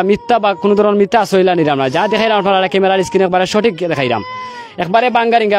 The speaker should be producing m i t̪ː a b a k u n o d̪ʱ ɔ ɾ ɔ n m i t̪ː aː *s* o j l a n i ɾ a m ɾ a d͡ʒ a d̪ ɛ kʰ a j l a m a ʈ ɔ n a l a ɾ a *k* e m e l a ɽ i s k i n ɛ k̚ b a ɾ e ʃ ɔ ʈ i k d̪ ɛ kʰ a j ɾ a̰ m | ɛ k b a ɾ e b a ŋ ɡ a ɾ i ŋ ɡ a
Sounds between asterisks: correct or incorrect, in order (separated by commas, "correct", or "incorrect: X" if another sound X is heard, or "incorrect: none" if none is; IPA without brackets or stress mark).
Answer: correct, correct